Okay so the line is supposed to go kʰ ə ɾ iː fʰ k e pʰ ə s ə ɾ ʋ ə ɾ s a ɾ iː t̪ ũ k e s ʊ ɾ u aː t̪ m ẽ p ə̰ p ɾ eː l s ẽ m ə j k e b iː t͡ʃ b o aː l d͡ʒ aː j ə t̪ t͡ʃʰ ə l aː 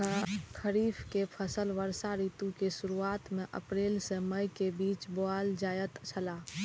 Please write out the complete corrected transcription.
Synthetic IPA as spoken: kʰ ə ɾ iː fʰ k e pʰ ə s ə l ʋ ə ɾ s a ɾ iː t̪ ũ k e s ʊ ɾ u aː t̪ m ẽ ʔ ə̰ p ɾ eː l s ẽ m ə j k e b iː t͡ʃ b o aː l d͡ʒ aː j ə t̪ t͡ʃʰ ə l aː